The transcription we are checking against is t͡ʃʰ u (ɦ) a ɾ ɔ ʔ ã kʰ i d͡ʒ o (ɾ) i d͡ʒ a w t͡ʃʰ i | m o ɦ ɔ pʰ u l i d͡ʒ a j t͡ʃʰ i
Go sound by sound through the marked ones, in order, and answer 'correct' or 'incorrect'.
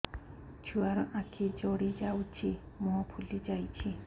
incorrect, incorrect

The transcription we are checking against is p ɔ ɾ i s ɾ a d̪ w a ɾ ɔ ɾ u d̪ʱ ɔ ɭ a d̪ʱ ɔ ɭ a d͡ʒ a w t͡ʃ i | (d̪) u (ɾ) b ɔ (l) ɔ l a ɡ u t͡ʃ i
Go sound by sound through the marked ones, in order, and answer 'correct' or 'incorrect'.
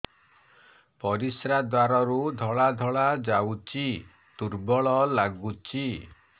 incorrect, correct, incorrect

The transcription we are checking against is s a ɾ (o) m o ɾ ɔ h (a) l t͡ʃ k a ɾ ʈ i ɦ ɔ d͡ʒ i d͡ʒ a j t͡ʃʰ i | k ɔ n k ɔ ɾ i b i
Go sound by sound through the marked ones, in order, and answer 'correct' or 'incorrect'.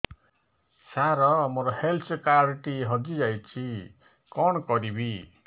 incorrect, incorrect

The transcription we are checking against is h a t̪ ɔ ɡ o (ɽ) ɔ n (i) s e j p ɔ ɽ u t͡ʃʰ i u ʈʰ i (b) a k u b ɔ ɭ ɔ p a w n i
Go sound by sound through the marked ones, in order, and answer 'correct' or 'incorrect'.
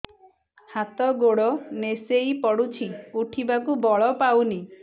correct, incorrect, correct

